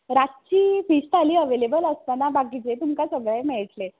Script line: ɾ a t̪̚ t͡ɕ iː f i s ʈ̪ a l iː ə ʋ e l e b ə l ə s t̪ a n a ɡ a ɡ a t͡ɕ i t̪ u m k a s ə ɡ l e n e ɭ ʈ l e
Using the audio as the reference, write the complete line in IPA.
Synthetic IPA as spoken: ɾ a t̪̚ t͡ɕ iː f i s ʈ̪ a l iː ə ʋ e l e b ə l ə s t̪ a n a b a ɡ i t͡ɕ e t̪ u m k a s ə ɡ ɭ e m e ɭ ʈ l e